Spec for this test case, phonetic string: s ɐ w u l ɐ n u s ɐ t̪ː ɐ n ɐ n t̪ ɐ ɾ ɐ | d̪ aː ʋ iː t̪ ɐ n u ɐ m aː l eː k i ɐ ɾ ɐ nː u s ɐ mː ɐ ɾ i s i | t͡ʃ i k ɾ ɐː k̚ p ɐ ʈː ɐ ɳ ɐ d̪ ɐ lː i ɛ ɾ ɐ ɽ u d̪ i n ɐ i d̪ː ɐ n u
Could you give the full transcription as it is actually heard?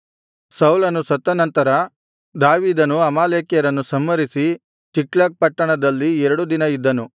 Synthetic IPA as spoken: s ɐ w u l ɐ n u s ɐ t̪ː ɐ n ɐ n t̪ ɐ ɾ ɐ | d̪ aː ʋ iː d̪ ɐ n u ɐ m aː l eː k j ɐ ɾ ɐ nː u s ɐ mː ɐ ɾ i s i | t͡ʃ i k l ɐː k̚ p ɐ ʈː ɐ ɳ ɐ d̪ ɐ lː i ɛ ɾ ɐ ɽ u d̪ i n ɐ i d̪ː ɐ n u